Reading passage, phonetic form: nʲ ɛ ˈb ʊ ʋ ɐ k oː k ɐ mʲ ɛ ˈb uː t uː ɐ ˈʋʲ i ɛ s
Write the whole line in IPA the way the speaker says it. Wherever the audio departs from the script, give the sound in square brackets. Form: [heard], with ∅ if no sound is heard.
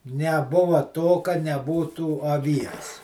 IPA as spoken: nʲ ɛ ˈb ʊ ʋ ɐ [t] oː k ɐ [nʲ] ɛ ˈb uː t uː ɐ ˈʋʲ i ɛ s